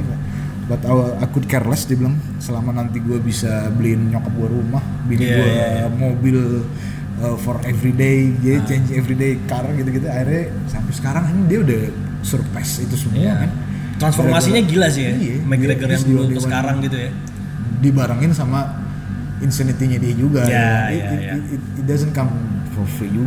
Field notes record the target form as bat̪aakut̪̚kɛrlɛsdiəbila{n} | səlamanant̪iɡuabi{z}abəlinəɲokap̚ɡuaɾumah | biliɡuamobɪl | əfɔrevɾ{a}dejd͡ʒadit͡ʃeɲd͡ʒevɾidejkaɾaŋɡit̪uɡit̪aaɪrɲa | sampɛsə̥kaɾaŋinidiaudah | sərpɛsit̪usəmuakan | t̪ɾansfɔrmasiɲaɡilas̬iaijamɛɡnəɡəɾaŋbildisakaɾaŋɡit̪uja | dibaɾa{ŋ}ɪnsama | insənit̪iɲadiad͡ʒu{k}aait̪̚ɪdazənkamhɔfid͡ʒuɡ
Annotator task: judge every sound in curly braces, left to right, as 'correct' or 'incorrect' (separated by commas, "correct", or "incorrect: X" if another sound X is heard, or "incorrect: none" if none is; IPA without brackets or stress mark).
incorrect: ŋ, incorrect: s, incorrect: i, correct, incorrect: ɡ